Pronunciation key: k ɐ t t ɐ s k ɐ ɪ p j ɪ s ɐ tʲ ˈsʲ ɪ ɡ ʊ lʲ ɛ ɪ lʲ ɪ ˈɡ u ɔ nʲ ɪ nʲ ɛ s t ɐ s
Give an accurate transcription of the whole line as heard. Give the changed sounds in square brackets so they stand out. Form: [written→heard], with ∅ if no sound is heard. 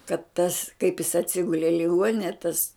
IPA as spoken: k ɐ t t ɐ s k ɐ ɪ p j ɪ s ɐ tʲ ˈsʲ ɪ ɡ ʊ lʲ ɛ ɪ lʲ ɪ ˈɡ u ɔ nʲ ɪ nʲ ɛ [s→∅] t ɐ s